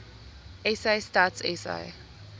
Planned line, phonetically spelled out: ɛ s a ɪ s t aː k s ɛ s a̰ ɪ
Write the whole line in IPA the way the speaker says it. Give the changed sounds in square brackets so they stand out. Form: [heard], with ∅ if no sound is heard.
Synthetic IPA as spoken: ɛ s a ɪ s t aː [t] s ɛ s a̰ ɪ